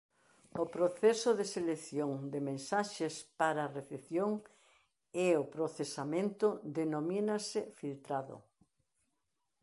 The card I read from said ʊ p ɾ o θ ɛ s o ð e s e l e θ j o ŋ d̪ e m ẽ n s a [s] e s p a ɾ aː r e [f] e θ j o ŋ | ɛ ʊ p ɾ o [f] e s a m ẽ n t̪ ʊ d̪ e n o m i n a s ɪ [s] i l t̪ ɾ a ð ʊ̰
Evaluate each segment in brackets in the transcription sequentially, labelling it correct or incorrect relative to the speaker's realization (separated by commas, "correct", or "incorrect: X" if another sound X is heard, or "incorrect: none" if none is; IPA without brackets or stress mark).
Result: incorrect: ʃ, incorrect: θ, incorrect: θ, incorrect: f